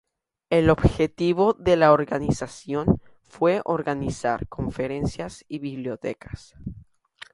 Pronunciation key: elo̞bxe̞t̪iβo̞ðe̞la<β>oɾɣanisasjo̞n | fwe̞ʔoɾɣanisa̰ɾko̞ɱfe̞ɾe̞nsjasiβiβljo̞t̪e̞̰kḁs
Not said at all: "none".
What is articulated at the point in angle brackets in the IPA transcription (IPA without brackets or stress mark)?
none